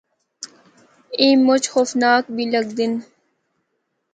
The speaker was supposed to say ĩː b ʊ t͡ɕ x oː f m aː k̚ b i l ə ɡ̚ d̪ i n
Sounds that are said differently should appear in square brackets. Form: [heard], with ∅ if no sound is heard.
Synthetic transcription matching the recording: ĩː [m] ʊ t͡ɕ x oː f [n] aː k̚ b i l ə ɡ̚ d̪ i n